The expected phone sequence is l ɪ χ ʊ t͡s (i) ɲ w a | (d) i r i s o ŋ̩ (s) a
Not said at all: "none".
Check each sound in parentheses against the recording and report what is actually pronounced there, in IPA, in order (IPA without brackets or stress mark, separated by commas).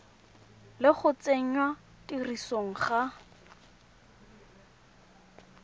e, t, χ